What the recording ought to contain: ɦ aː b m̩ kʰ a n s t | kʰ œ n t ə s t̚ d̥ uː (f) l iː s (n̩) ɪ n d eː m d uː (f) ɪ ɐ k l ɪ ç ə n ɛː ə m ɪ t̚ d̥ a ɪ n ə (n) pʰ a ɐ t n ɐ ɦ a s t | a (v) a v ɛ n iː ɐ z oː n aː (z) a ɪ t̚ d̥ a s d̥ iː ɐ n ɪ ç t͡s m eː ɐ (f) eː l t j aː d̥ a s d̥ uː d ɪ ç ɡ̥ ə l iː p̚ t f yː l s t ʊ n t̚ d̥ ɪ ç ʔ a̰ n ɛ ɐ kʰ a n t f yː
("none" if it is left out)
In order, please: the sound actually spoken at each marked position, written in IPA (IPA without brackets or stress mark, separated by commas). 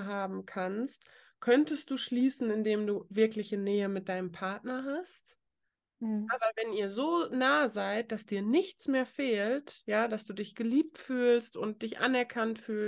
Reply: ʃ, n̩, v, m, v, z, f